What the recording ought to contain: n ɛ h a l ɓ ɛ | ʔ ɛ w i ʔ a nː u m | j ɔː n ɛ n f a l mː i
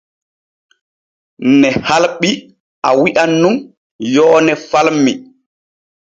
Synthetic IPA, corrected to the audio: n ɛ h a l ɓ i | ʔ a w i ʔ a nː u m | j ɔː n ɛ f a l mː i